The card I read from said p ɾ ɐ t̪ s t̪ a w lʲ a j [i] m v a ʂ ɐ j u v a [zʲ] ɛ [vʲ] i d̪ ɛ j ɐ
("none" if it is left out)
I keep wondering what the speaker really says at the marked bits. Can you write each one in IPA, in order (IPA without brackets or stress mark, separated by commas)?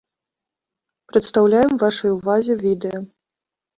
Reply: ɛ, zʲ, vʲ